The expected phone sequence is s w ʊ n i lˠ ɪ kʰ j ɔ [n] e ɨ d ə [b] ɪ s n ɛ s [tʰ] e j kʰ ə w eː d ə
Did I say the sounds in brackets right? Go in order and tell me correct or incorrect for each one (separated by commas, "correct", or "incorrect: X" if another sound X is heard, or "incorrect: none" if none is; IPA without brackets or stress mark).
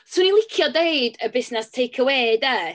incorrect: d, correct, correct